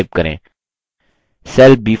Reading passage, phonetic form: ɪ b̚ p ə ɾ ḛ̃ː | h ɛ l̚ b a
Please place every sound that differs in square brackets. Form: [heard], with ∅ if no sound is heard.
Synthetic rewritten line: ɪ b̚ [k] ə ɾ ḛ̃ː | [s] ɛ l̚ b [i]